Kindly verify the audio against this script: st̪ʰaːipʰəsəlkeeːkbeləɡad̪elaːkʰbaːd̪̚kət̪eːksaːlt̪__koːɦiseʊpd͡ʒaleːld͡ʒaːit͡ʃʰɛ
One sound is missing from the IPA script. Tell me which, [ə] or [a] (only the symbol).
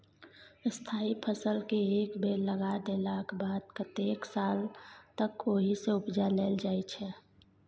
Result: ə